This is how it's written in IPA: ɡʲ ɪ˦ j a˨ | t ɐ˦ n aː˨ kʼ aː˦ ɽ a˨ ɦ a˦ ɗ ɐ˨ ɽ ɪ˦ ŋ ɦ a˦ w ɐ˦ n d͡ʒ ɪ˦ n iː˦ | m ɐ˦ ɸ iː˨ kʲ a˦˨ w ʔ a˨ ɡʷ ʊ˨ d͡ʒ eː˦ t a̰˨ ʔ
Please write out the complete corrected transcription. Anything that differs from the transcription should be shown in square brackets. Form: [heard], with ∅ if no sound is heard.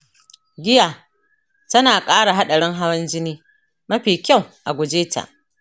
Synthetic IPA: ɡʲ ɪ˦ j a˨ | t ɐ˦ n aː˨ kʼ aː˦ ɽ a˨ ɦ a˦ ɗ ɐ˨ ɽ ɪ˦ ŋ ɦ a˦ w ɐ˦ n d͡ʒ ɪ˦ n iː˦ | m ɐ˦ ɸ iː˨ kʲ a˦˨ w ʔ a˨ ɡʷ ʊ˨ d͡ʒ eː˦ t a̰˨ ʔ